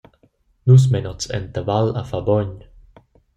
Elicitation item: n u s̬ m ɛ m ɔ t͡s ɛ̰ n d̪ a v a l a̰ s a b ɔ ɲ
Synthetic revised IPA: n u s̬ m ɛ n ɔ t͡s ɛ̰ n t̪ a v a l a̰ f a b ɔ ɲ